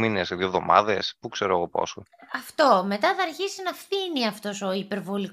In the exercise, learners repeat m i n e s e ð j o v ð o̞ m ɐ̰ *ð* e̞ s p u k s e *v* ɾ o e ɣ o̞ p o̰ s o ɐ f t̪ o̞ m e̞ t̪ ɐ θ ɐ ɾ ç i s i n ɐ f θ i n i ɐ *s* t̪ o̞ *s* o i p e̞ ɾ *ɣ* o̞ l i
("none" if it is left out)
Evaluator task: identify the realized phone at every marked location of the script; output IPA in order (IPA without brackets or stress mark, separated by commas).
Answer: ð, none, f, s, v